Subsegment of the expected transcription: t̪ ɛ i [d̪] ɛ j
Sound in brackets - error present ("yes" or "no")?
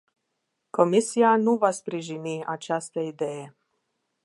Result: no